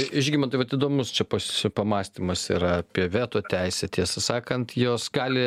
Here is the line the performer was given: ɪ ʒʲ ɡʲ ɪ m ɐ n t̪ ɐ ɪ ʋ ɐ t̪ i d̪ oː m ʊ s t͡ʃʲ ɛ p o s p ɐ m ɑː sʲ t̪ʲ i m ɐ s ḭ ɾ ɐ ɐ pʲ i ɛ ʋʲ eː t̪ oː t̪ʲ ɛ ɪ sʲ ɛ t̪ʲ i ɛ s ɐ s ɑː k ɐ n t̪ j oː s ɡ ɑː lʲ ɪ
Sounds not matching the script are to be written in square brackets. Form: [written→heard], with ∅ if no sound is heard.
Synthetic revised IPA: ɪ ʒʲ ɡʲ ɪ m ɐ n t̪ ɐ ɪ ʋ ɐ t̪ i d̪ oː m ʊ s t͡ʃʲ ɛ p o s p ɐ m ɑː sʲ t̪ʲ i m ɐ s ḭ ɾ ɐ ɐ pʲ i ɛ ʋʲ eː t̪ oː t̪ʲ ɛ ɪ sʲ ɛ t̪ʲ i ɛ s ɐ s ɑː k ɐ n t̪ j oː s ɡ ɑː lʲ ɪ